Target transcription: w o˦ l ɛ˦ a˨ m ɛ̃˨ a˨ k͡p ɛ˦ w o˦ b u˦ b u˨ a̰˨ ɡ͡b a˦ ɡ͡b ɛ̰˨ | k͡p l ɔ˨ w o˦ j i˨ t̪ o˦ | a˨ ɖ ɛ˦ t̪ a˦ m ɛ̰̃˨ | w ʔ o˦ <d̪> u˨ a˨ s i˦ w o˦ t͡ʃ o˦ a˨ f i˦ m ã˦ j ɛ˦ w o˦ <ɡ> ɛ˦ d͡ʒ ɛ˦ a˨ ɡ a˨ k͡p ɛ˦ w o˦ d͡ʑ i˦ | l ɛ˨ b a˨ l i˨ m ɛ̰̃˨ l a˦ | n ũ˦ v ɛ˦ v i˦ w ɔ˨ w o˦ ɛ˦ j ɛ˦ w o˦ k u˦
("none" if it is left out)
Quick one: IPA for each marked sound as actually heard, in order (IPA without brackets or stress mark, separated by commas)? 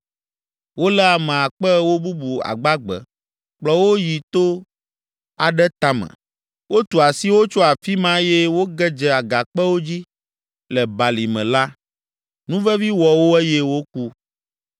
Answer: t̪, ɡ